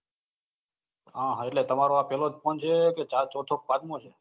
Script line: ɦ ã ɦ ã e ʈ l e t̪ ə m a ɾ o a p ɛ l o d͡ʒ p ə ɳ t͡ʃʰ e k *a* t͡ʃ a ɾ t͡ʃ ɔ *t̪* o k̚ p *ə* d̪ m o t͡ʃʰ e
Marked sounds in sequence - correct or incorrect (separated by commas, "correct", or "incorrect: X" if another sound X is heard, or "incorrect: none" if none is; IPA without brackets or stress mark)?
incorrect: e, incorrect: t̪ʰ, incorrect: a